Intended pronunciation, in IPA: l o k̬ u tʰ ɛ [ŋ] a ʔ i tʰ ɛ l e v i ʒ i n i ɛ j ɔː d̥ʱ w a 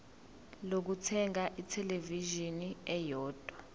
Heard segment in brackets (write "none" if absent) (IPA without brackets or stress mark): ŋ